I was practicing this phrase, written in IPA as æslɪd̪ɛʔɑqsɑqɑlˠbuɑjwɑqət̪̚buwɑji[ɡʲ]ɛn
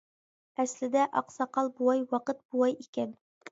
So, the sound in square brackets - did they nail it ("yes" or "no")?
no